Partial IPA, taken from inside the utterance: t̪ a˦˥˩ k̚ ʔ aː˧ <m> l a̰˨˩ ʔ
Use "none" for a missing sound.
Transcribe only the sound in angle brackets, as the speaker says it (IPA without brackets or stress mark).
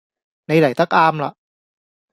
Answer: m